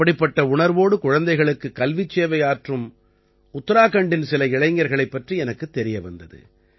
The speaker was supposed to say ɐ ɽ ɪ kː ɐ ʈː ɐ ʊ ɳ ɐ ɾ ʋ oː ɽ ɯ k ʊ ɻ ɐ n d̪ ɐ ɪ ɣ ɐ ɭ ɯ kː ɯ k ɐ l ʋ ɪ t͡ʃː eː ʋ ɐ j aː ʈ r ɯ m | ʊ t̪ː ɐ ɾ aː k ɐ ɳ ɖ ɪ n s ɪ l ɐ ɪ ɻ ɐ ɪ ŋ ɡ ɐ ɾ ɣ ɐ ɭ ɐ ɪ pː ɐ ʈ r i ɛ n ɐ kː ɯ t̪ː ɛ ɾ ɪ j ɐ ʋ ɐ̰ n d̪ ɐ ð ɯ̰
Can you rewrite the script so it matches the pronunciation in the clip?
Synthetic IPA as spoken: ɐ ɽ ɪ pː ɐ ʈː ɐ ʊ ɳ ɐ ɾ ʋ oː ɽ ɯ k ʊ ɻ ɐ n d̪ ɐ ɪ ɣ ɐ ɭ ɯ kː ɯ k ɐ l ʋ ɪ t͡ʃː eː ʋ ɐ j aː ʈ r ɯ m | ʊ t̪ː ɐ ɾ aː k ɐ ɳ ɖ ɪ n s ɪ l ɐ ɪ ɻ ɐ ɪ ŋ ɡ ɐ ɾ ɣ ɐ ɭ ɐ ɪ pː ɐ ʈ r i ɛ n ɐ kː ɯ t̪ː ɛ ɾ ɪ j ɐ ʋ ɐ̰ n d̪ ɐ ð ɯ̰